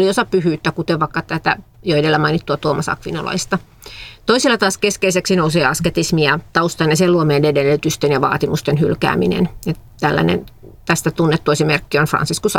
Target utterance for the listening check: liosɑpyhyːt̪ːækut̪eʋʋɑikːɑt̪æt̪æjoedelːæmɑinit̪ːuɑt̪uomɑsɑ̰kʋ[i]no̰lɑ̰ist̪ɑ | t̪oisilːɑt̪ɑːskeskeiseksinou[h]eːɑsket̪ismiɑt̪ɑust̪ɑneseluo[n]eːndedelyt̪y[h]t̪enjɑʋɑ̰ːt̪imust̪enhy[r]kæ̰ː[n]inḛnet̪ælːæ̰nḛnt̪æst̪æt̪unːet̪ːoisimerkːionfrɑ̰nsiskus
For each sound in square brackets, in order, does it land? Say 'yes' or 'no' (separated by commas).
yes, no, no, no, no, no